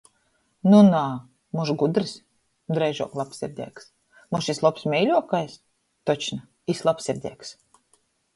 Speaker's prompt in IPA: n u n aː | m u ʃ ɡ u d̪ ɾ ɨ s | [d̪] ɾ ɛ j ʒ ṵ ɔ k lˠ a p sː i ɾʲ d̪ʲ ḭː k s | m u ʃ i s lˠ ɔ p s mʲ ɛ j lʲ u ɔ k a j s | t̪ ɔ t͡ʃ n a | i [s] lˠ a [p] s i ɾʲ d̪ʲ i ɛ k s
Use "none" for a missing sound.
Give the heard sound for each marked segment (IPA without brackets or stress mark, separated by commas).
d̪, s, p